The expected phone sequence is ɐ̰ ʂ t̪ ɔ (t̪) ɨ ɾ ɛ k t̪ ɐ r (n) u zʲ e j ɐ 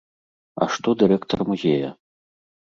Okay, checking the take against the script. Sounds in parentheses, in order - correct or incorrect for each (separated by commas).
incorrect, incorrect